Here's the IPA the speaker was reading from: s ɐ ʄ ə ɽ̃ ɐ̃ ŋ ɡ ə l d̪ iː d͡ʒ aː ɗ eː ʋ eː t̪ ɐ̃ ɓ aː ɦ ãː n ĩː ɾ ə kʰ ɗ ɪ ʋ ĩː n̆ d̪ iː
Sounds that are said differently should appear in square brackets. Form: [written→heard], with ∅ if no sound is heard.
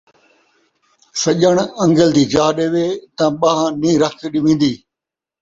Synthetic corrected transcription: s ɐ ʄ ə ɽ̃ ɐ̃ ŋ ɡ ə l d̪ iː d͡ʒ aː ɗ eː ʋ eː t̪ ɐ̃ ɓ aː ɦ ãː n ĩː ɾ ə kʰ ɗ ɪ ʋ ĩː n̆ d̪ iː